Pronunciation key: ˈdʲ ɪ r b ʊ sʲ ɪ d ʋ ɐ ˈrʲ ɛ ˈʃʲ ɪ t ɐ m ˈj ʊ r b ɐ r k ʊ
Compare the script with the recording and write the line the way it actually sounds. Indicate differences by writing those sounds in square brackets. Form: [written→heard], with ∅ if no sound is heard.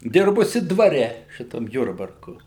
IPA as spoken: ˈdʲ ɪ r b ʊ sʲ ɪ d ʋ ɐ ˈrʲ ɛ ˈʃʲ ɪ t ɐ m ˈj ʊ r b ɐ r k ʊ